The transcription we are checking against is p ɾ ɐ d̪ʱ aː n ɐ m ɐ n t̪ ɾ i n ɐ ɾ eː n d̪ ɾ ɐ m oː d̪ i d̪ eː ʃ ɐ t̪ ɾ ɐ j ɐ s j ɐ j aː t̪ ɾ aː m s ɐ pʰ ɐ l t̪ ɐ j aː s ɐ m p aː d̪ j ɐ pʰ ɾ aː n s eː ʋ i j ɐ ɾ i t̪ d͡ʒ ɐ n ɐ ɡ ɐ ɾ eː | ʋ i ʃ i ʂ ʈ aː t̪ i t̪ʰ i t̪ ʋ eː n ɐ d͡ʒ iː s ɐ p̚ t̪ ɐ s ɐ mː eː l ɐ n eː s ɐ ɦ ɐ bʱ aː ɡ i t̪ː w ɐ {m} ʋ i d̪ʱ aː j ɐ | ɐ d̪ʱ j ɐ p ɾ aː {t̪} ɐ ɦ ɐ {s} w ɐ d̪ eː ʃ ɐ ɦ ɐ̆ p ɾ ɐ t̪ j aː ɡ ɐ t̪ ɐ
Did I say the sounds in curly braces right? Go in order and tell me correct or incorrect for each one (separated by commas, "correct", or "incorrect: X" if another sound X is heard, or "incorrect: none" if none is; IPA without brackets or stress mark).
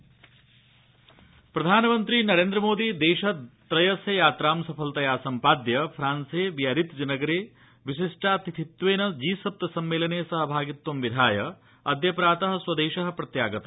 correct, correct, correct